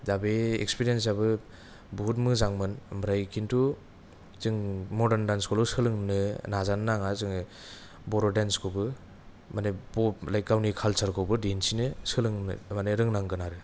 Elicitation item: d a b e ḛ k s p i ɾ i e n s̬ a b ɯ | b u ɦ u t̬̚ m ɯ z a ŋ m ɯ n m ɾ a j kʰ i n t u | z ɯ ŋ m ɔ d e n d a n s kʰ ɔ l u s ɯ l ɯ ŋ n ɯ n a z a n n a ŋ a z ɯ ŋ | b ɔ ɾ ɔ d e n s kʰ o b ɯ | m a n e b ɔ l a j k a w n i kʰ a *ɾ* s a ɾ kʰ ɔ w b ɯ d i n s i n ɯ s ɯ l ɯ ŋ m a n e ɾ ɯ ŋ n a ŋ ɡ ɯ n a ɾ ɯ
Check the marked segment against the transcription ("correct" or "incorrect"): incorrect